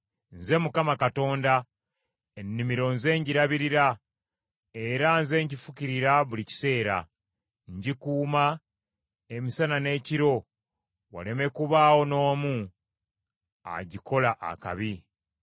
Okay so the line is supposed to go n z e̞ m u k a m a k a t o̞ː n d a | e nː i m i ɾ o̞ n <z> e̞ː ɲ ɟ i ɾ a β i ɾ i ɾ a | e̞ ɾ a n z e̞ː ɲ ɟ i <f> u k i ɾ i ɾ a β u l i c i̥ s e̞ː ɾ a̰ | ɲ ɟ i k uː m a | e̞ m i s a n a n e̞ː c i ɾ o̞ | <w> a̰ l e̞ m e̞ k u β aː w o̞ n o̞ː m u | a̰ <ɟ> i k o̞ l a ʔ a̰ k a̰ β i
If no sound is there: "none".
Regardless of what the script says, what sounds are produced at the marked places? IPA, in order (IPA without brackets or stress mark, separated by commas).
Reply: z, f, w, ɟ